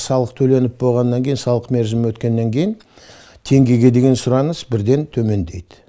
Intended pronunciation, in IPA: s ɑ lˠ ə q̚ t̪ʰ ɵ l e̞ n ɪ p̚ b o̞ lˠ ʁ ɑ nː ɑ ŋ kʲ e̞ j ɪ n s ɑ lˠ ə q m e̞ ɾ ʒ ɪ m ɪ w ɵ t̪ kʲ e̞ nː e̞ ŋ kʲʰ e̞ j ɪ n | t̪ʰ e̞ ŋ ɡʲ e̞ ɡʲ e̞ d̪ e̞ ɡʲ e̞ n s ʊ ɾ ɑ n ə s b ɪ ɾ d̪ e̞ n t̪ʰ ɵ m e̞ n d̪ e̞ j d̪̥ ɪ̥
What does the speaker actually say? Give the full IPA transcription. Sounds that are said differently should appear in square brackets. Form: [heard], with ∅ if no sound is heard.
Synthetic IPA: s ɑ lˠ ə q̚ t̪ʰ ɵ l e̞ n ɪ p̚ b o̞ lˠ ʁ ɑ nː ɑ ŋ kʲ e̞ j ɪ n s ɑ lˠ ə q m e̞ ɾ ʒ ɪ m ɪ w ɵ t̪ kʲ e̞ nː e̞ ŋ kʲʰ e̞ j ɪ n | t̪ʰ e̞ ŋ ɡʲ e̞ ɡʲ e̞ d̪ e̞ ɡʲ e̞ n s ʊ ɾ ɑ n ə s b ɪ ɾ d̪ e̞ n t̪ʰ ɵ m e̞ n d̪ e̞ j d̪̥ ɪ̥